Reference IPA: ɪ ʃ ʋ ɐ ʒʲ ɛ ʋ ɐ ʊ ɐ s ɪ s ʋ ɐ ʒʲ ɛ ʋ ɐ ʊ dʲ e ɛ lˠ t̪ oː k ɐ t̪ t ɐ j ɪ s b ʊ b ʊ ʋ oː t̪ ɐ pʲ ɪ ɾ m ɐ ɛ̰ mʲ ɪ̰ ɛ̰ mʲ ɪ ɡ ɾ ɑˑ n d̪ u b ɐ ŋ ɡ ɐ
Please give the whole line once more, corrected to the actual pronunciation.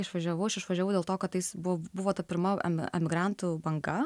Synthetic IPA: ɪ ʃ ʋ ɐ ʒʲ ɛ ʋ ɐ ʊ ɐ ʃ ɪ ʃ ʋ ɐ ʒʲ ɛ ʋ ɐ ʊ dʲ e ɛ lˠ t̪ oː k ɐ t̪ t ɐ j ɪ s b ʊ b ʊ ʋ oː t̪ ɐ pʲ ɪ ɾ m ɐ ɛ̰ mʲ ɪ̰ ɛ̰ mʲ ɪ ɡ ɾ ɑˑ n t̪ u b ɐ ŋ ɡ ɐ